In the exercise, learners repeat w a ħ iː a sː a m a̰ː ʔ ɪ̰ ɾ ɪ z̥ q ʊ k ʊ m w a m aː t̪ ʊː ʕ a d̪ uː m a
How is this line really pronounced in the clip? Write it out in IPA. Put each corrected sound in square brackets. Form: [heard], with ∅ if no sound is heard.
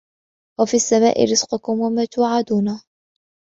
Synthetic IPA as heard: w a [f] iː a sː a m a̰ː ʔ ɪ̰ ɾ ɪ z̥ q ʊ k ʊ m w a m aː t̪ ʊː ʕ a d̪ uː [n] a